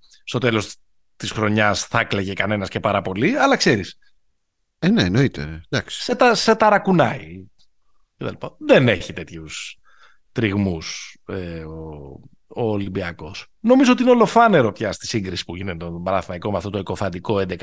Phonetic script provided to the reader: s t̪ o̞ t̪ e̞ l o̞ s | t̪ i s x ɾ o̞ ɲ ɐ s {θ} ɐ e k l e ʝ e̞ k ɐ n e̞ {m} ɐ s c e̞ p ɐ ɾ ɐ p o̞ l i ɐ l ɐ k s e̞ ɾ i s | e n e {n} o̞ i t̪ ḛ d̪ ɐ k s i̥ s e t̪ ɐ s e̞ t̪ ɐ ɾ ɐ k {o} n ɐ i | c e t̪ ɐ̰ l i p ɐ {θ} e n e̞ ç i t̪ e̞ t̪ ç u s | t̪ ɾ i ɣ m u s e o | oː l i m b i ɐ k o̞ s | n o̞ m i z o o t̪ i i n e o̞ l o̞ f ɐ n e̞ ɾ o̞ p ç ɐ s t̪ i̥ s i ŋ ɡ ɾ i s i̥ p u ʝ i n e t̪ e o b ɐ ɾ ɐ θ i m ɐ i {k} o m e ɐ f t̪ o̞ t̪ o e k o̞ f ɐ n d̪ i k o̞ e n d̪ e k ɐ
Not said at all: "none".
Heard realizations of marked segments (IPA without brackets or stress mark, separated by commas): θ, n, n, u, ð, k